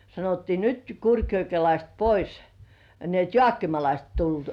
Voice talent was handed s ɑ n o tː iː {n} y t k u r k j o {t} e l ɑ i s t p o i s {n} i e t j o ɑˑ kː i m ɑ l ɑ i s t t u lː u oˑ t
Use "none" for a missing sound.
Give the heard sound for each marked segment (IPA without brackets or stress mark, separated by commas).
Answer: n, k, n